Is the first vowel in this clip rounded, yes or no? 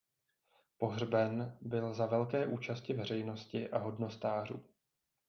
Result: yes